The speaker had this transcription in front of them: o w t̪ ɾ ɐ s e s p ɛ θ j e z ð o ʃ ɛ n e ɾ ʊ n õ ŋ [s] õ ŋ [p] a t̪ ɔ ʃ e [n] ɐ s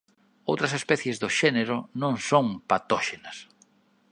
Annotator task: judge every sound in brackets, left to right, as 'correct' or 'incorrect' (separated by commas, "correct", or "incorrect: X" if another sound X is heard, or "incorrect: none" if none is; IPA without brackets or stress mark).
correct, correct, correct